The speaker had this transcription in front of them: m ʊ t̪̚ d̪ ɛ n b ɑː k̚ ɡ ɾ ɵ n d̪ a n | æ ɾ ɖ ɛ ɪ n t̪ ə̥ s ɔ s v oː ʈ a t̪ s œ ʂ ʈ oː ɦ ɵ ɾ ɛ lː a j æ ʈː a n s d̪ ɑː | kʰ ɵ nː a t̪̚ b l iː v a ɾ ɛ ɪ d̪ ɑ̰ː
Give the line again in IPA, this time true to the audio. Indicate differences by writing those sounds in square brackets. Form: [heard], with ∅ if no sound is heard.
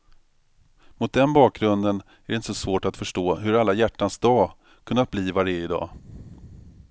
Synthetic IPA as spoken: m ʊ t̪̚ d̪ ɛ n b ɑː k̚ ɡ ɾ ɵ n d̪ [ə] n | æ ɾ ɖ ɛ ɪ n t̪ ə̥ s ɔ s v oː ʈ a t̪ [f] œ ʂ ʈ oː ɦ ɵ ɾ [a] lː a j æ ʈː a n s d̪ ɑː | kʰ ɵ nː a t̪̚ b l iː v a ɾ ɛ ɪ d̪ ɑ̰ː